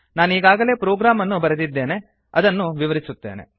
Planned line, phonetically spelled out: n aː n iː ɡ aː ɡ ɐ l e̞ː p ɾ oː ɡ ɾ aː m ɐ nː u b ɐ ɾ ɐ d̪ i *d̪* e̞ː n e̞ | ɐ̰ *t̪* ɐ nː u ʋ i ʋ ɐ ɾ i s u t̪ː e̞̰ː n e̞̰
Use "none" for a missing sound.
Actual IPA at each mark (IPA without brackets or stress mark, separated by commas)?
d̪ː, d̪